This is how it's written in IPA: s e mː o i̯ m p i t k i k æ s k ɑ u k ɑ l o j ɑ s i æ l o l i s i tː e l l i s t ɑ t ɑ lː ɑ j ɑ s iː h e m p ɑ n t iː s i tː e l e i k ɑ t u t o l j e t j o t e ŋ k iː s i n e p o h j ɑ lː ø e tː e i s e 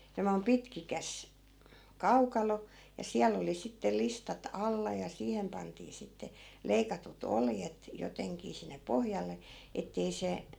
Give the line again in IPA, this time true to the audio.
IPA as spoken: s e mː o i̯ m p i t k i k æ s k ɑ u k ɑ l o j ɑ s i æ l o l i s i tː e l l i s t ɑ t ɑ lː ɑ j ɑ s iː h e m p ɑ n t iː s i tː e l e i k ɑ t u t o l j e t j o t e ŋ k iː s i nː e p o h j ɑ lː e e tː e i s e